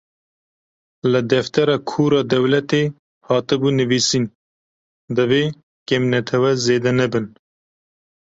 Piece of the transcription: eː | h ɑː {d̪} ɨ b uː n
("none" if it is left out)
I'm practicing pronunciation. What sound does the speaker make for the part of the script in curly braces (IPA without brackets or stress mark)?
t̪